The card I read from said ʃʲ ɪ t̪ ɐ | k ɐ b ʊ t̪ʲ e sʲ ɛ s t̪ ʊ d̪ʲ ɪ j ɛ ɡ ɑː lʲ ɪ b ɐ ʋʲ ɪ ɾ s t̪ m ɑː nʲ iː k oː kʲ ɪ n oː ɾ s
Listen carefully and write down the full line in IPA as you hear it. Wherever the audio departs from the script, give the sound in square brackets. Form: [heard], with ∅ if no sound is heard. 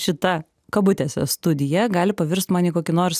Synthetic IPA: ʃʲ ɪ t̪ ɐ | k ɐ b ʊ t̪ʲ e sʲ ɛ s t̪ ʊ d̪ʲ ɪ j ɛ ɡ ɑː lʲ ɪ [p] ɐ ʋʲ ɪ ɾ s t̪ m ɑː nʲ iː k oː kʲ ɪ n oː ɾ s